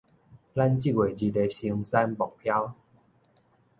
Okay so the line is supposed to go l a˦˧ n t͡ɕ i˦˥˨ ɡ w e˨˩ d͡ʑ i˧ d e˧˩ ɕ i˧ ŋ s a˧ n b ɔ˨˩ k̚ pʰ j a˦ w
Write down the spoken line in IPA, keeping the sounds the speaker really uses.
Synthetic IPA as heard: l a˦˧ n t͡ɕ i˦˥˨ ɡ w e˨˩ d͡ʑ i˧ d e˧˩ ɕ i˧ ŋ s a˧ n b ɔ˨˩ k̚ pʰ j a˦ w